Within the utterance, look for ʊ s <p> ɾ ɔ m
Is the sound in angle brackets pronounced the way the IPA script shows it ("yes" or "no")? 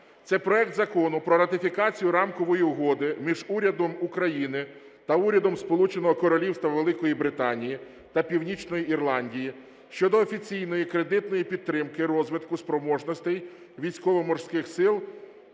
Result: yes